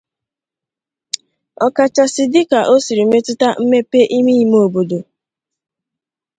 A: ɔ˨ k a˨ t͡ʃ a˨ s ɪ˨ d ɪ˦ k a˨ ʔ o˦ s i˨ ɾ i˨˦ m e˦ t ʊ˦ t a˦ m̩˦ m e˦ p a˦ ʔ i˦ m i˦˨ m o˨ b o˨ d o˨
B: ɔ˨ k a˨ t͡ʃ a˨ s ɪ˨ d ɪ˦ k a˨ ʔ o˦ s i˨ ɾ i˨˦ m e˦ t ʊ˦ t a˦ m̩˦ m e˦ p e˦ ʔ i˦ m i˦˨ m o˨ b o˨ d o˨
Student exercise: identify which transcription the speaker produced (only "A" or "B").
B